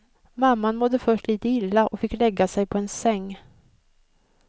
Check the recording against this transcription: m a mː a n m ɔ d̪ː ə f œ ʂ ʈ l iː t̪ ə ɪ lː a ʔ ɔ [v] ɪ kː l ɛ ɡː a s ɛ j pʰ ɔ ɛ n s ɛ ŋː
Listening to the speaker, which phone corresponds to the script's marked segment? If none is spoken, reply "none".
f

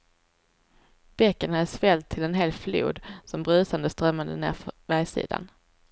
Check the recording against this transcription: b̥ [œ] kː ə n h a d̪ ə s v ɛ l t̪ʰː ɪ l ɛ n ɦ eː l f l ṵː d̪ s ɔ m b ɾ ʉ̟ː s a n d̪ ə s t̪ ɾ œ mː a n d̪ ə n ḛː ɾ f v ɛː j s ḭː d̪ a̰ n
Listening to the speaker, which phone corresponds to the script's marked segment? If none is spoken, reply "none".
ɛ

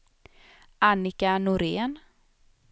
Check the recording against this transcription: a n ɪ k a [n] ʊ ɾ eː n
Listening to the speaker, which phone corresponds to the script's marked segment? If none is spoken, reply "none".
n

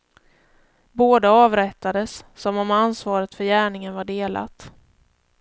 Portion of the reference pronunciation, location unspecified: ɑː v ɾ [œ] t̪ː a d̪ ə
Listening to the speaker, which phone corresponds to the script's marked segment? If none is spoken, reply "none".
ɛ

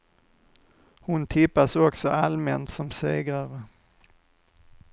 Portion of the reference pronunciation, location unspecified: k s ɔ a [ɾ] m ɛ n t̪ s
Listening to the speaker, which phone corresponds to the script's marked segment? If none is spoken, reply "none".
l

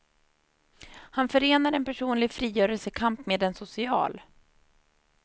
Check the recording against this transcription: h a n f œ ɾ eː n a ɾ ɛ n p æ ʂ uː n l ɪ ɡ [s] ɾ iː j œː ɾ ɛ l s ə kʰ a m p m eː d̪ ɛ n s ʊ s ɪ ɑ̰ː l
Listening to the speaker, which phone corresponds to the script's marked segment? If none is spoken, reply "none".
f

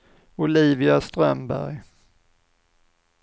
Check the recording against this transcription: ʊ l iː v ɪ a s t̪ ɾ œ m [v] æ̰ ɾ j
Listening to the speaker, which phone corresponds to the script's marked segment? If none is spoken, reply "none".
b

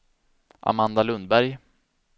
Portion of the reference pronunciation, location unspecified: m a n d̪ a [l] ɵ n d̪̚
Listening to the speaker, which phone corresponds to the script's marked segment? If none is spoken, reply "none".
l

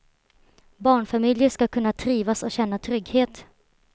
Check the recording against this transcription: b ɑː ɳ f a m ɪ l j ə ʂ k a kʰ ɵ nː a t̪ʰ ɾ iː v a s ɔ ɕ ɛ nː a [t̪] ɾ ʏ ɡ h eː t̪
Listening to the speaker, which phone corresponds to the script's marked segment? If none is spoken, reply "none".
t̪ʰ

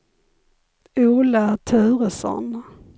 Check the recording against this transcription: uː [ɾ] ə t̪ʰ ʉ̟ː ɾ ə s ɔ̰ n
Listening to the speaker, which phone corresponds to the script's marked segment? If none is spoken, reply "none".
l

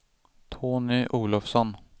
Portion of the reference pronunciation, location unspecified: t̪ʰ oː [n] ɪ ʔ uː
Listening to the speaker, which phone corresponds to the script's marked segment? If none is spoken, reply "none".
n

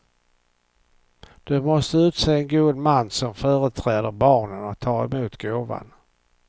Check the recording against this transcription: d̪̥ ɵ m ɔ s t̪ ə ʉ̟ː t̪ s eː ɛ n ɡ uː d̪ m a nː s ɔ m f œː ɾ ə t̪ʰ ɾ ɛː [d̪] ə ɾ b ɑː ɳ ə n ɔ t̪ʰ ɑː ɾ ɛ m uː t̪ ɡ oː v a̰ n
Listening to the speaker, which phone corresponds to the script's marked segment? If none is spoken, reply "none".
d̪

